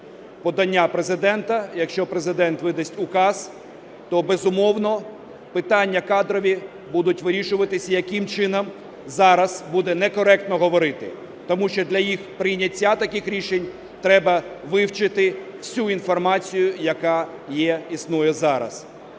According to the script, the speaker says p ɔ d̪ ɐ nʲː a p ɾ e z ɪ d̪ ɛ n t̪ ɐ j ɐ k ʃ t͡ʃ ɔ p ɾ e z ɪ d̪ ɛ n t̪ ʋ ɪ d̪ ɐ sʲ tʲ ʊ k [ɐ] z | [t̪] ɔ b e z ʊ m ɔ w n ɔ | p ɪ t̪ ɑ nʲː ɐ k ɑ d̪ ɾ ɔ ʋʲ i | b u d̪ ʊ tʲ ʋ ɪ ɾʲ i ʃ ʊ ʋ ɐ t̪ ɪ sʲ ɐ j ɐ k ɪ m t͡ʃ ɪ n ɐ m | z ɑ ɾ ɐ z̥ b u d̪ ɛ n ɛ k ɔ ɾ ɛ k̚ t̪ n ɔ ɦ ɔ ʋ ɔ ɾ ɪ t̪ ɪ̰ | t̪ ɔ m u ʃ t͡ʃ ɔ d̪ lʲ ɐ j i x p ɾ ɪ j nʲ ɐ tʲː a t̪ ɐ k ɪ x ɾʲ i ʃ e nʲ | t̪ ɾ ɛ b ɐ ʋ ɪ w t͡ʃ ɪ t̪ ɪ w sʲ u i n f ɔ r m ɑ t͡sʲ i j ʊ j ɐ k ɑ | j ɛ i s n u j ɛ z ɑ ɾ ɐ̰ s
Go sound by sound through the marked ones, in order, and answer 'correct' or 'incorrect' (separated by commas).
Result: incorrect, correct